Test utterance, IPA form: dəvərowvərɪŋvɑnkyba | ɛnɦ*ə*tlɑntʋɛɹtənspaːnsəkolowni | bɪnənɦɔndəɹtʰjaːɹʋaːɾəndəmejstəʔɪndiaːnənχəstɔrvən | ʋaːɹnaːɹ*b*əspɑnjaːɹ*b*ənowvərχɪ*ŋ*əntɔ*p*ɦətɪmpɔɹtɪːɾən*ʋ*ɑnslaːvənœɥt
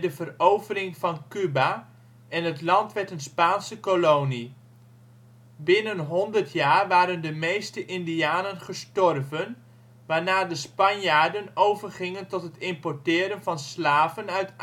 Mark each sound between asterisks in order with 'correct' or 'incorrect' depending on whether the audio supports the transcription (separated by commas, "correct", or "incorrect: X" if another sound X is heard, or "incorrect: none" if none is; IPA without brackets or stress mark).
correct, incorrect: d, incorrect: d, correct, incorrect: t, incorrect: v